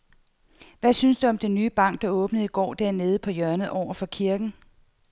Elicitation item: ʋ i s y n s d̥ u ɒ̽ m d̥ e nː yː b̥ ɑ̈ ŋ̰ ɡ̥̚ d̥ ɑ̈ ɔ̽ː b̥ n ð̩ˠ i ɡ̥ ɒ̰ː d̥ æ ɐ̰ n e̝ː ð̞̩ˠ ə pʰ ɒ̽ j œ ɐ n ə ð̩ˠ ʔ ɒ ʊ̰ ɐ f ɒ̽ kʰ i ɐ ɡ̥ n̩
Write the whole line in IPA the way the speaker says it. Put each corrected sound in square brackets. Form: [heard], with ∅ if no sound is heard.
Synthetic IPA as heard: ʋ [æ] s y n s d̥ u ɒ̽ m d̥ e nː yː b̥ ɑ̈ ŋ̰ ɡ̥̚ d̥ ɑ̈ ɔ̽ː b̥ n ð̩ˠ i ɡ̥ ɒ̰ː d̥ æ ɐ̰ n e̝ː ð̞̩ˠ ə pʰ ɒ̽ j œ ɐ n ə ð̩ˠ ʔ ɒ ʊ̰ ɐ f ɒ̽ kʰ i ɐ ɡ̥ n̩